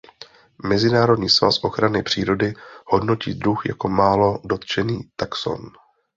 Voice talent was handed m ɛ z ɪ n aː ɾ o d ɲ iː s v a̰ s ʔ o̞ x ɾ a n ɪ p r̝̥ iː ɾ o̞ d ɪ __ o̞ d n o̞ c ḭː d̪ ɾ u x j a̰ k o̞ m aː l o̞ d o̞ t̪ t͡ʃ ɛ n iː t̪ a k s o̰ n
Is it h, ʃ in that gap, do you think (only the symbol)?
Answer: h